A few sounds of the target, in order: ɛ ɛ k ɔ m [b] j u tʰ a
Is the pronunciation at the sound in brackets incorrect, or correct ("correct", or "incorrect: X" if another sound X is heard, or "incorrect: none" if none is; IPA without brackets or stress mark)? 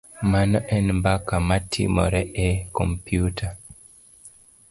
incorrect: p